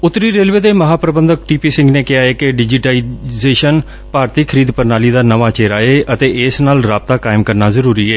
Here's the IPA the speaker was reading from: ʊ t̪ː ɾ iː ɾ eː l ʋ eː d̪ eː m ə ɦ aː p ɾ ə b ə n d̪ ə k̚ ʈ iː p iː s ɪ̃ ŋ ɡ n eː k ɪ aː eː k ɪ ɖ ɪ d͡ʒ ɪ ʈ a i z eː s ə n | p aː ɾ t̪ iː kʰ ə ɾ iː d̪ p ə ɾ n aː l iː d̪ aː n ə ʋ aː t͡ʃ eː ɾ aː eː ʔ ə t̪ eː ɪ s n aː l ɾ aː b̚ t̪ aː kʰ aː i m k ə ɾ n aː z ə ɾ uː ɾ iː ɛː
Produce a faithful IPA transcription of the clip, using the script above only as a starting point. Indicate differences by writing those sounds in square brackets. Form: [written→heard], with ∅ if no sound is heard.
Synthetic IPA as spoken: ʊ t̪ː ɾ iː ɾ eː l ʋ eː d̪ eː m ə ɦ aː p ɾ ə b ə n d̪ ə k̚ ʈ iː p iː s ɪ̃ ŋ ɡ n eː k ɪ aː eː k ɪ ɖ ɪ d͡ʒ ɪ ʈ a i z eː [s→ʃ] ə n | p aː ɾ t̪ iː kʰ ə ɾ iː d̪ p ə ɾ n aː l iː d̪ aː n ə ʋ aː t͡ʃ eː ɾ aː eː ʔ ə t̪ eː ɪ s n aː l ɾ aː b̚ t̪ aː [kʰ→k] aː [i→ɪ] m k ə ɾ n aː z ə ɾ uː ɾ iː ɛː

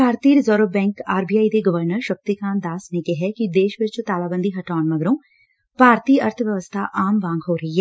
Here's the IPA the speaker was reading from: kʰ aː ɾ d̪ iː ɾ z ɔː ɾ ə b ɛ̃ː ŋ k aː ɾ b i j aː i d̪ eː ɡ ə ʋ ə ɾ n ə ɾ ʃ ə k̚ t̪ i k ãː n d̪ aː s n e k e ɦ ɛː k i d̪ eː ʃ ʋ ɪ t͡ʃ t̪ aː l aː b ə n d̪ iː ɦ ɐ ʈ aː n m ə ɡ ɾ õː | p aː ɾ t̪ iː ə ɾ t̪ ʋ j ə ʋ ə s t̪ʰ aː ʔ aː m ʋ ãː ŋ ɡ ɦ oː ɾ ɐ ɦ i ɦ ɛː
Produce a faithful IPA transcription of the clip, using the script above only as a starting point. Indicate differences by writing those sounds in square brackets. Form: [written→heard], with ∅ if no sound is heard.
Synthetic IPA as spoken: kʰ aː ɾ [d̪→t̪] iː ɾ z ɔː ɾ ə b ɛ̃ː ŋ k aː ɾ b i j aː i d̪ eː ɡ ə ʋ ə ɾ n ə ɾ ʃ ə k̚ t̪ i k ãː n d̪ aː s n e k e ɦ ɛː k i d̪ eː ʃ ʋ ɪ t͡ʃ t̪ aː l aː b ə n d̪ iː ɦ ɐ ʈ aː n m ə ɡ ɾ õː | p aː ɾ t̪ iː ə ɾ [t̪→t̪ʰ] ʋ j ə ʋ ə s t̪ʰ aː ʔ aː m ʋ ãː ŋ ɡ ɦ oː ɾ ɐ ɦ i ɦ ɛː

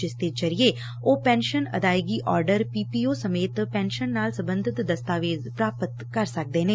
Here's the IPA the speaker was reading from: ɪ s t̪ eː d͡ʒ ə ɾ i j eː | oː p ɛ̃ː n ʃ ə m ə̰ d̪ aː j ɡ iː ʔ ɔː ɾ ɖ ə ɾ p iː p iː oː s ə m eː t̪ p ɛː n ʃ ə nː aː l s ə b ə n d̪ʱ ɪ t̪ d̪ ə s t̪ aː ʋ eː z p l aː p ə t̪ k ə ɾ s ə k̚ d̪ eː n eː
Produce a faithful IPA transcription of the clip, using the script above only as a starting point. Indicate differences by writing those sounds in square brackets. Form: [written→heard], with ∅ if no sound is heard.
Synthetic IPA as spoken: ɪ s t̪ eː d͡ʒ ə ɾ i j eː | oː p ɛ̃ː n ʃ ə [m→n] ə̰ d̪ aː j ɡ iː ʔ ɔː ɾ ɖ ə ɾ p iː p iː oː s ə m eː t̪ p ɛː n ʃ ə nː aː l s ə b ə n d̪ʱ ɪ t̪ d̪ ə s t̪ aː ʋ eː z p [l→ɾ] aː p ə t̪ k ə ɾ s ə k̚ d̪ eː n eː

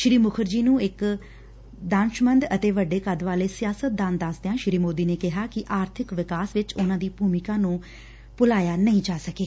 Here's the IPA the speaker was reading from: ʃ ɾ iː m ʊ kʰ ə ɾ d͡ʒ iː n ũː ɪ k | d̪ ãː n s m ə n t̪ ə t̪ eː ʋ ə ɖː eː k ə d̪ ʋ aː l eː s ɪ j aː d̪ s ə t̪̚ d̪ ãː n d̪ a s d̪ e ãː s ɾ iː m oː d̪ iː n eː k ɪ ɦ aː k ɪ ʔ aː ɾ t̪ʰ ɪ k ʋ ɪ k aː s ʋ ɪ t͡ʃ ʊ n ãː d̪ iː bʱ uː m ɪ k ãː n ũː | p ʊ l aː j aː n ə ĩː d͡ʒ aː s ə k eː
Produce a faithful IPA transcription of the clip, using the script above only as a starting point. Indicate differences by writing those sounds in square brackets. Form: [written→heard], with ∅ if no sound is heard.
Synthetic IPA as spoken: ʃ ɾ iː m ʊ kʰ ə ɾ d͡ʒ iː n ũː ɪ k | d̪ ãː n [s→ʃ] m ə n [t̪→d̪] ə t̪ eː ʋ ə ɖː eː k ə d̪ ʋ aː l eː s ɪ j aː [d̪→∅] s ə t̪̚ d̪ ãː n d̪ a s d̪ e ãː [s→ʃ] ɾ iː m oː d̪ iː n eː k ɪ ɦ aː k ɪ ʔ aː ɾ t̪ʰ ɪ k ʋ ɪ k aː s ʋ ɪ t͡ʃ ʊ n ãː d̪ iː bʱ uː m ɪ k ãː n ũː | p ʊ l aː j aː n ə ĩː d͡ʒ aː s ə k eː

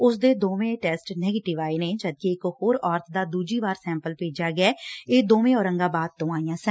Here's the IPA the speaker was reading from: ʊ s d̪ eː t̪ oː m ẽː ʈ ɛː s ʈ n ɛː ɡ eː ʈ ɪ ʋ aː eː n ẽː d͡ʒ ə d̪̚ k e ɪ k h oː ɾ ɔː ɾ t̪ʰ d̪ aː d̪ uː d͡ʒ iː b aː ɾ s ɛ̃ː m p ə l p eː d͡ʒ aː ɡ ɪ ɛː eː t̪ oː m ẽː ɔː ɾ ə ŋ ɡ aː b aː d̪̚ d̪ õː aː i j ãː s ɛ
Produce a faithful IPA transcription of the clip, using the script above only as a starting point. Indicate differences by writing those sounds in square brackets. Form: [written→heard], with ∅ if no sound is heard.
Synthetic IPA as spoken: ʊ s d̪ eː [t̪→d̪] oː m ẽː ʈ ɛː s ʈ n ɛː ɡ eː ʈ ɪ ʋ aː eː n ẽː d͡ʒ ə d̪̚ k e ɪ k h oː ɾ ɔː ɾ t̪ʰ d̪ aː d̪ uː d͡ʒ iː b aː ɾ s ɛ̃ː m p ə l p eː d͡ʒ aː ɡ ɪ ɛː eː [t̪→d̪] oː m ẽː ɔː ɾ ə ŋ ɡ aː b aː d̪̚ [d̪→t̪] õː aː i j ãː s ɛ

